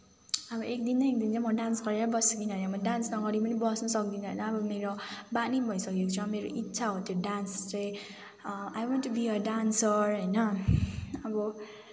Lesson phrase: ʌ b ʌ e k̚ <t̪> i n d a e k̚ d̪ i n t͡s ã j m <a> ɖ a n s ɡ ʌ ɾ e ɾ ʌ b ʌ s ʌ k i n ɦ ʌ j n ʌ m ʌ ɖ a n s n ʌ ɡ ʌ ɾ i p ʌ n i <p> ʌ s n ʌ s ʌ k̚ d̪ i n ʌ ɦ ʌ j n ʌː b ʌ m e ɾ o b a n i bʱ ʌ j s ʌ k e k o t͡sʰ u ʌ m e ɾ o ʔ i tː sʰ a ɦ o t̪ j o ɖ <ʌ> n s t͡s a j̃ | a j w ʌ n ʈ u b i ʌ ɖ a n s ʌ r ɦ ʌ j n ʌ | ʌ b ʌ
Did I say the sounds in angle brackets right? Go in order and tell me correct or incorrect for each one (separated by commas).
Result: incorrect, incorrect, incorrect, incorrect